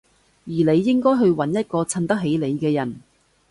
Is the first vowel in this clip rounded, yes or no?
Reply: no